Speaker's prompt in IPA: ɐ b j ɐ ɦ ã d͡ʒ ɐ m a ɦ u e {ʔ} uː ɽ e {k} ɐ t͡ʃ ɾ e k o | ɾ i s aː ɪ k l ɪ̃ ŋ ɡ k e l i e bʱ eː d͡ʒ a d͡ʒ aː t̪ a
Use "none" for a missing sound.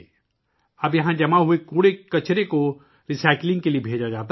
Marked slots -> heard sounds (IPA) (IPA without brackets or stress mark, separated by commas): k, k